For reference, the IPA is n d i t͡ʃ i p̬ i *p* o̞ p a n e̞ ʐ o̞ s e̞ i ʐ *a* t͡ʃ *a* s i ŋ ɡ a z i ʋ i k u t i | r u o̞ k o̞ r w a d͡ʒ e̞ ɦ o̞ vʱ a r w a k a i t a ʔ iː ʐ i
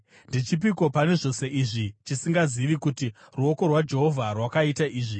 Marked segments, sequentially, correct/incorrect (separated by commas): incorrect, incorrect, incorrect